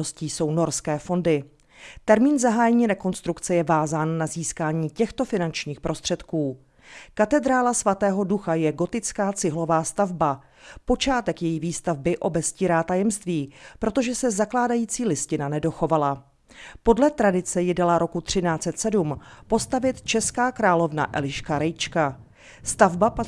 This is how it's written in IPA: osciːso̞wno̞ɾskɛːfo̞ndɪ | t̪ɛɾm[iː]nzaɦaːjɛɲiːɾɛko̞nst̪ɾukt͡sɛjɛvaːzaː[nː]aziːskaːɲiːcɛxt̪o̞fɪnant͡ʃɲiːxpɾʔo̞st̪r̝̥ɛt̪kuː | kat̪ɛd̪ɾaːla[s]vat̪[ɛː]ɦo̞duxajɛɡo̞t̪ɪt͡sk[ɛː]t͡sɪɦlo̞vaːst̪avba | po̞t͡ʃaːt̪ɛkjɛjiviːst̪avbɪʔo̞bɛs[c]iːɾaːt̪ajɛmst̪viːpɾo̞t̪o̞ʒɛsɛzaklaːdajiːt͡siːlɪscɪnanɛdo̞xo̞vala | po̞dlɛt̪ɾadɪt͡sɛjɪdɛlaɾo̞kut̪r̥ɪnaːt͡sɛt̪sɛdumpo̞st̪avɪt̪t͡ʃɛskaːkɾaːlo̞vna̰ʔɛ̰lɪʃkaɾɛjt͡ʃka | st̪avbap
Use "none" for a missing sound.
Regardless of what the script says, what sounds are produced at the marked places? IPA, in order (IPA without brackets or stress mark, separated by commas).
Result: iː, nː, s, ɛː, aː, c